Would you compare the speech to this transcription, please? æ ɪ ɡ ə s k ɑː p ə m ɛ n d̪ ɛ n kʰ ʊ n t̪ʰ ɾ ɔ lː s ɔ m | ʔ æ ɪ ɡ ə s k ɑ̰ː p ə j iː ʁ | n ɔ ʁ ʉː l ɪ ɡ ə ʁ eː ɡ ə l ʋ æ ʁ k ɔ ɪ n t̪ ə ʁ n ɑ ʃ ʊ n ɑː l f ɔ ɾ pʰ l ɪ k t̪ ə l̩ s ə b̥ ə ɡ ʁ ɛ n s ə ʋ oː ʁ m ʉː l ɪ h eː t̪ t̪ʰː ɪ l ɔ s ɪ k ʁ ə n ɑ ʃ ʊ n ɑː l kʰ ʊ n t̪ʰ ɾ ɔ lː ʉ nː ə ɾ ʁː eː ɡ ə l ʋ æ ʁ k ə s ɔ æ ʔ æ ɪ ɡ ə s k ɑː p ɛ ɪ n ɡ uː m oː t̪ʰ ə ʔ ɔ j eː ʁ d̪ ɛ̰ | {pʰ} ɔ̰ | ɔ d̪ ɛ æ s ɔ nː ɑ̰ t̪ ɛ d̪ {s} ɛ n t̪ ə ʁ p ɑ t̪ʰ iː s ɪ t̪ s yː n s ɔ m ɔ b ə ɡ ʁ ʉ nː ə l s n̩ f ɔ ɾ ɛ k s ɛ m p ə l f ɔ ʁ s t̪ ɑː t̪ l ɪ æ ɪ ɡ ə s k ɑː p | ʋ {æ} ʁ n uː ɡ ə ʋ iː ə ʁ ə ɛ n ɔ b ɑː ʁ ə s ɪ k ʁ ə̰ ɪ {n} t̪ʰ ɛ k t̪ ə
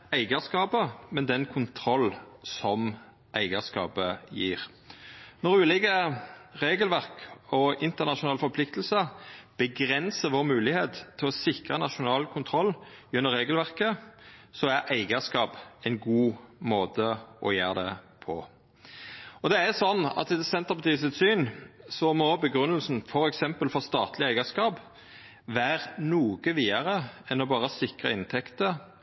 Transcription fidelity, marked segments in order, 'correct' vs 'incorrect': correct, correct, incorrect: æː, correct

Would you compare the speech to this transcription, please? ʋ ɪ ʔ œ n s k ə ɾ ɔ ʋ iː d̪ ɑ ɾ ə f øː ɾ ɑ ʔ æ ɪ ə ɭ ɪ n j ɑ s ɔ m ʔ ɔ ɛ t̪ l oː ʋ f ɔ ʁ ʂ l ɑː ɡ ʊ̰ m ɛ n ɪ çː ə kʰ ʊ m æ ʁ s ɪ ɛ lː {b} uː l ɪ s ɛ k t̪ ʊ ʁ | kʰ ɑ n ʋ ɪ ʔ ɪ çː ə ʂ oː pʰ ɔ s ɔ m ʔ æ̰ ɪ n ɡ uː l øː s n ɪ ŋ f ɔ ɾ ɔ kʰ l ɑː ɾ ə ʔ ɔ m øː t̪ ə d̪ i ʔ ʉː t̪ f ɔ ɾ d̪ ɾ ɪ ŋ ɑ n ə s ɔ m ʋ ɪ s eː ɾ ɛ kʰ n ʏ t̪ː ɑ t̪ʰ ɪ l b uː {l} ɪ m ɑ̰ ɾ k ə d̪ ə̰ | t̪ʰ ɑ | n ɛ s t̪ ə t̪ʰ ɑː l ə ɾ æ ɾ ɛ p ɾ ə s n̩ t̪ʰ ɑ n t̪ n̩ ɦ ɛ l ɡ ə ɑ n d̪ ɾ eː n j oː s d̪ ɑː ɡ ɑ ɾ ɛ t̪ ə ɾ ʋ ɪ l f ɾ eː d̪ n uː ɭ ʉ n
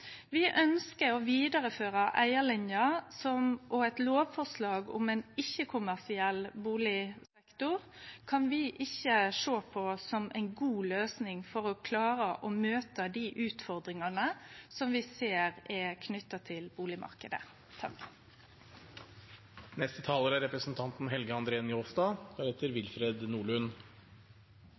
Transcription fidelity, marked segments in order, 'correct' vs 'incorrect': correct, correct

